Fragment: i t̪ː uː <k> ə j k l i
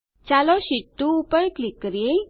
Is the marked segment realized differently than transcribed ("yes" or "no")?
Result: yes